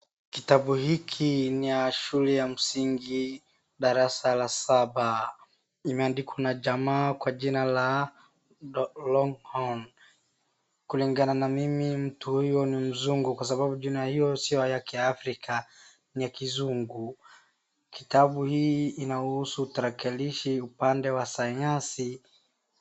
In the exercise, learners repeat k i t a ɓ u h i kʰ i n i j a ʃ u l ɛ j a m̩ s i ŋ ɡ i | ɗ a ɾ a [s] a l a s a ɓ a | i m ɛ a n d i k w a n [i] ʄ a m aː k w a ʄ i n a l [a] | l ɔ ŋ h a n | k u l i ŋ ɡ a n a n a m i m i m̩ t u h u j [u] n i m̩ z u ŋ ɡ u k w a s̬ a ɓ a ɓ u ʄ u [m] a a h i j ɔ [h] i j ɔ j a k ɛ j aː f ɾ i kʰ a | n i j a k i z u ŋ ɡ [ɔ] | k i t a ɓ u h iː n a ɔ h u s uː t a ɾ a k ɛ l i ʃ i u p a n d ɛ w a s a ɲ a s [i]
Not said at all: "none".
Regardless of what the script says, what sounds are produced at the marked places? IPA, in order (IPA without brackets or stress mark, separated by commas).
s, a, a, ɔ, n, s, u, i